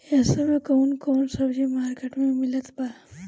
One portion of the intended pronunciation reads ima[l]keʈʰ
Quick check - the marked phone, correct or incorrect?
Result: incorrect